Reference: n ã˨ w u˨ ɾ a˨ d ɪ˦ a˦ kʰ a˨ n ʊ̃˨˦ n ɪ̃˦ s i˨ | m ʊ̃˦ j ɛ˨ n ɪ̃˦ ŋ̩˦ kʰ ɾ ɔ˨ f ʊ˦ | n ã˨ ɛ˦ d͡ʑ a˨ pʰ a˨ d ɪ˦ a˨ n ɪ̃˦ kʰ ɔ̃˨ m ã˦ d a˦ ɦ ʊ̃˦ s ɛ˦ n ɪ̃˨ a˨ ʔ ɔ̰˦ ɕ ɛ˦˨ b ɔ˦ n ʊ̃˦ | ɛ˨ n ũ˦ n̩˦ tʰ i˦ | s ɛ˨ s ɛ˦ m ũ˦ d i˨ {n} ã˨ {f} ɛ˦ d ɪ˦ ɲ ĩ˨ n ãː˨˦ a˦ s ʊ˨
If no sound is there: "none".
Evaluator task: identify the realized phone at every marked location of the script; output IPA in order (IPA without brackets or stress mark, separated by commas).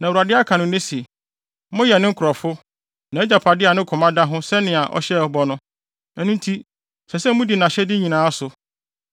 n, ɕ